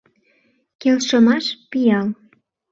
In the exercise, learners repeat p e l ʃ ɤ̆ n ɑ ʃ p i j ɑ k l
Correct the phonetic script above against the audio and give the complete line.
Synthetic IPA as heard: k e l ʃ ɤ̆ m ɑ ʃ p i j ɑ l

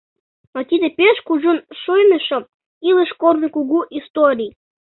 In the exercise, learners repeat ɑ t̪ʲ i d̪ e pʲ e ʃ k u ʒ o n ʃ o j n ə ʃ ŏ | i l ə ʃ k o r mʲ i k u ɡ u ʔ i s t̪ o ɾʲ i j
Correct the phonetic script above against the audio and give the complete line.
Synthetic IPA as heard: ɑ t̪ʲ i d̪ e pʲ e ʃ k u ʒ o n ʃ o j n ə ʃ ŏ | i l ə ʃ k o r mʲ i k u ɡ u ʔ i s t̪ o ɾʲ i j

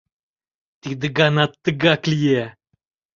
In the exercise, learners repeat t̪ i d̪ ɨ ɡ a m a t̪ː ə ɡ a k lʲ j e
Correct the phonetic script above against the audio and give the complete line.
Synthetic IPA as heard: t̪ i d̪ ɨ ɡ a n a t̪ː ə ɡ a k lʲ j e

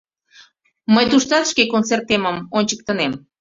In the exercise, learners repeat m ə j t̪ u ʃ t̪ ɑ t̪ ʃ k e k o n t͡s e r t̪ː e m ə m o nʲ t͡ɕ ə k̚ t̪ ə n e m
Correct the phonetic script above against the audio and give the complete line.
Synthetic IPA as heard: m ə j t̪ u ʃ t̪ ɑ t̪ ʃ k e k o n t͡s e r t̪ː e m ə m o nʲ t͡ɕ ə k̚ t̪ ə n e m

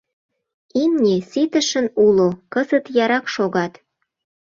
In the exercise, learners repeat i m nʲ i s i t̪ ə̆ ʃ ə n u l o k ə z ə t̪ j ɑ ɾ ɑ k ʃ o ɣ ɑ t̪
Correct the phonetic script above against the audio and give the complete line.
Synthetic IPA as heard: i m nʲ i s i t̪ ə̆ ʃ ə n u l o k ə z ə t̪ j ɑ ɾ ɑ k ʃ o ɣ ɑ t̪

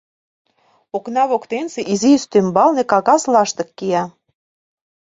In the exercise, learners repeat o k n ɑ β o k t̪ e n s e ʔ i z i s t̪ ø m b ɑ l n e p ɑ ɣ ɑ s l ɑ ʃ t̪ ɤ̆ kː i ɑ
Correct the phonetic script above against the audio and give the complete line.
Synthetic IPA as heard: o k n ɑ β o k t̪ e n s e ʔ i z i s t̪ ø m b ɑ l n e k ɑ ɣ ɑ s l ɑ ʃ t̪ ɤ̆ kː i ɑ

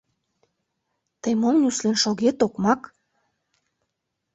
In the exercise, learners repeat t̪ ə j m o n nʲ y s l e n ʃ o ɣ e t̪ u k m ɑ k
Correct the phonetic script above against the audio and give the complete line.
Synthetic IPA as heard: t̪ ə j m o m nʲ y s l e n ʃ o ɣ e t̪ o k m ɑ k

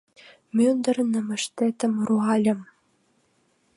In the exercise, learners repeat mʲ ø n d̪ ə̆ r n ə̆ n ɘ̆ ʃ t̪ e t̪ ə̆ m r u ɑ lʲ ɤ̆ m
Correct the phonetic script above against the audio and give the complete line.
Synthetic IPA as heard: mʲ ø n d̪ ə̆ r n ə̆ m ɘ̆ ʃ t̪ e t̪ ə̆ m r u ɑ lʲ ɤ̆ m

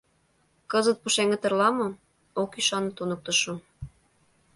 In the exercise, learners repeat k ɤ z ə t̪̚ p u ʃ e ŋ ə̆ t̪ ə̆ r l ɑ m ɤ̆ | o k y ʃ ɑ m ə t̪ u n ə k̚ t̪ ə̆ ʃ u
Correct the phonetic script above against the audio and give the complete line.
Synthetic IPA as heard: k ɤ z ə t̪̚ p u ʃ e ŋ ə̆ t̪ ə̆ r l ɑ m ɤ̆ | o k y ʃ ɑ n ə t̪ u n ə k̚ t̪ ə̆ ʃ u

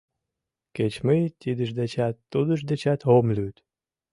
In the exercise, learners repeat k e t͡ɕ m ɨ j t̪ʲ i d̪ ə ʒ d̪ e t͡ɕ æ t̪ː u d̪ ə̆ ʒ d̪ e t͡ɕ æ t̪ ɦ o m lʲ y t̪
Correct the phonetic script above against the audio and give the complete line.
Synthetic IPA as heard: k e t͡ɕ m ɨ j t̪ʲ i d̪ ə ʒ d̪ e t͡ɕ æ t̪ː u d̪ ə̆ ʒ d̪ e t͡ɕ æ t̪ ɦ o m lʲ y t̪

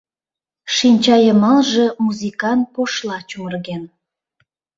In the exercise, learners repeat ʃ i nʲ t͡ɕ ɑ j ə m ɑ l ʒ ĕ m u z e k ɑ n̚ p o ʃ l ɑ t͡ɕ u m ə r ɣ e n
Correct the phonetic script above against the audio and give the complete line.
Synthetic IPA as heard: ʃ i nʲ t͡ɕ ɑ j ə m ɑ l ʒ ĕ m u z i k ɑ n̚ p o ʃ l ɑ t͡ɕ u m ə r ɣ e n

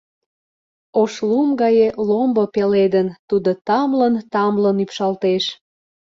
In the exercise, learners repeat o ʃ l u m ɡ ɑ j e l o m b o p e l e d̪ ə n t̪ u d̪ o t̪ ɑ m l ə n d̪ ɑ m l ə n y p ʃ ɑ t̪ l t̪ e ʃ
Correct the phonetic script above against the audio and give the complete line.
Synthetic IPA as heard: o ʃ l u m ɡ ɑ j e l o m b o p e l e d̪ ə n t̪ u d̪ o t̪ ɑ m l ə n t̪ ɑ m l ə n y p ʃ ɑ l t̪ e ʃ

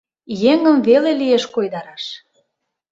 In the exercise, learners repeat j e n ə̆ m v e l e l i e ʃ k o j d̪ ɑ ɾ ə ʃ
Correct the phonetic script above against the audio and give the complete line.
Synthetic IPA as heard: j e ŋ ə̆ m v e l e l i e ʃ k o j d̪ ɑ ɾ ɑ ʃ

